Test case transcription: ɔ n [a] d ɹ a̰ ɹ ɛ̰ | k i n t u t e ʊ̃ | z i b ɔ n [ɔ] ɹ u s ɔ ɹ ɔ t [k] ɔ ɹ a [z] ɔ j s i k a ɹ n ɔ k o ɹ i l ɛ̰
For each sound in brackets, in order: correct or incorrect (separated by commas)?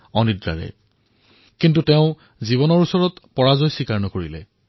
incorrect, correct, incorrect, correct